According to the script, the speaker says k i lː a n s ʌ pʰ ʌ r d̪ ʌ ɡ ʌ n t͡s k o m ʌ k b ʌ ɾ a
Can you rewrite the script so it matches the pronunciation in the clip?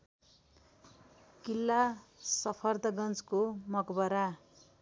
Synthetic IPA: k i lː a s ʌ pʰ ʌ r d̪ ʌ ɡ ʌ n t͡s k o m ʌ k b ʌ ɾ a